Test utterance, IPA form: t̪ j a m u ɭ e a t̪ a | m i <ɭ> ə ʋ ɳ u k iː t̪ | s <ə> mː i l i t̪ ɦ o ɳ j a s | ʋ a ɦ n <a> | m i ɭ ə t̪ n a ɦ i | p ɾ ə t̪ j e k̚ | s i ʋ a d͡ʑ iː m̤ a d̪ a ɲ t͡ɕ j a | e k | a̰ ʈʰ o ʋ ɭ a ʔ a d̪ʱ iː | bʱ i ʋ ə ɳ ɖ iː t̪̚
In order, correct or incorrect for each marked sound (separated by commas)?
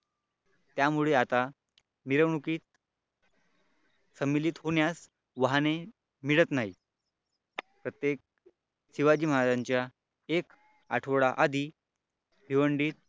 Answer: incorrect, correct, incorrect